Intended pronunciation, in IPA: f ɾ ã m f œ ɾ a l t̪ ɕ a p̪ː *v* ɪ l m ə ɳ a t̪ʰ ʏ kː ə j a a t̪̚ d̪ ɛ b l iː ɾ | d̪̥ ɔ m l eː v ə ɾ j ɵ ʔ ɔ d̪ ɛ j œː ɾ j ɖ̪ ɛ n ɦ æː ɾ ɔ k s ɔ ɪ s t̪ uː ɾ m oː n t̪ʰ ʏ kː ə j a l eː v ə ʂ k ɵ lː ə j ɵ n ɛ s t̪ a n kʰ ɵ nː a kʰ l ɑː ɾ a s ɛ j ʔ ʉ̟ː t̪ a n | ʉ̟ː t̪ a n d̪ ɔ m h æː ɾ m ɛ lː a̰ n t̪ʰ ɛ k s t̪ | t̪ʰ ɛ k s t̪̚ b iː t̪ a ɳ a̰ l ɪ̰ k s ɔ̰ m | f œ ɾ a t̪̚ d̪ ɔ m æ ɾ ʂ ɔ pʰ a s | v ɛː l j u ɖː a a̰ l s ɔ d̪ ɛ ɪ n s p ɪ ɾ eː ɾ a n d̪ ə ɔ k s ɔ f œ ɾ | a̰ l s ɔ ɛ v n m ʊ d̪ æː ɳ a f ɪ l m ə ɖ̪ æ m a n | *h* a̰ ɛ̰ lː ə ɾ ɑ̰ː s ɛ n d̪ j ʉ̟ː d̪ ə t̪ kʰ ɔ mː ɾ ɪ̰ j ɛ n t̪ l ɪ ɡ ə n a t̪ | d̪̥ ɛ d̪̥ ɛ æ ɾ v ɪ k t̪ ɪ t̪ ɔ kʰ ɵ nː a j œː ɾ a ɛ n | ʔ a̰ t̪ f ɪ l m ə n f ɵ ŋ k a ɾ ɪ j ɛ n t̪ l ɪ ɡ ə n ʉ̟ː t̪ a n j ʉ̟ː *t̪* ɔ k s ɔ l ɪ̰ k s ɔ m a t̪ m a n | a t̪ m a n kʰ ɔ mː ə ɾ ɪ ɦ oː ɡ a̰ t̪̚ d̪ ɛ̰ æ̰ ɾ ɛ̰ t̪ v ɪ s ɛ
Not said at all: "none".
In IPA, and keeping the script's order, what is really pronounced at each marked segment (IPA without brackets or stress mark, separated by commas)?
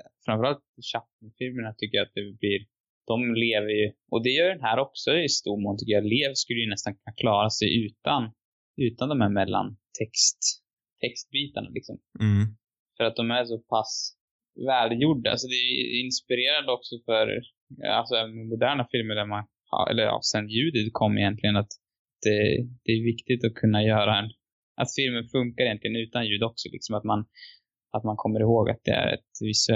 f, h, d̪